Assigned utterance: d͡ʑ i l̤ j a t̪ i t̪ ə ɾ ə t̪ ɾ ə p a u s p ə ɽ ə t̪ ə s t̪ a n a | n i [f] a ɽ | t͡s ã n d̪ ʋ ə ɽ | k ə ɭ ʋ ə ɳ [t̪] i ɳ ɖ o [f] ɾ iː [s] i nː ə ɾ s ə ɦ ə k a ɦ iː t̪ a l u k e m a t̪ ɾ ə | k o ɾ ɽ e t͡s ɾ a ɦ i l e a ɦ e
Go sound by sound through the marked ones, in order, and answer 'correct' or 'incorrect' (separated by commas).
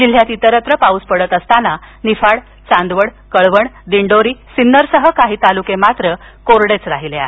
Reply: correct, incorrect, incorrect, correct